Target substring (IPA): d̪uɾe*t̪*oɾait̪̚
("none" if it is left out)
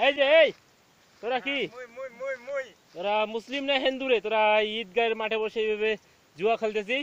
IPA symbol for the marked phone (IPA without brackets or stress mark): t̪